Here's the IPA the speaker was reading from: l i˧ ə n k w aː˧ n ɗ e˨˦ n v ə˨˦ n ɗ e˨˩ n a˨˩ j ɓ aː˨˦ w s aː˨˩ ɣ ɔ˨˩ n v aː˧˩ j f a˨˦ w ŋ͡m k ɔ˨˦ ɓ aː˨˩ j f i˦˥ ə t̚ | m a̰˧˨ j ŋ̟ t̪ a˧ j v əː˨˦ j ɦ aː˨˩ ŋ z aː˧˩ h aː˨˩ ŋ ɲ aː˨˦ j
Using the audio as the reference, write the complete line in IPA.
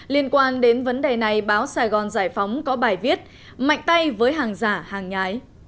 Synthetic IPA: l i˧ ə n k w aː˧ n ɗ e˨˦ n v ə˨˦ n ɗ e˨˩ n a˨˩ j ɓ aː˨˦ w s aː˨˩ ɣ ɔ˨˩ n z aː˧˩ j f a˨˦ w ŋ͡m k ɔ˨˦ ɓ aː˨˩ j v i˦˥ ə t̚ | m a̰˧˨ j ŋ̟ t̪ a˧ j v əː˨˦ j ɦ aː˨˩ ŋ z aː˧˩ h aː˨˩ ŋ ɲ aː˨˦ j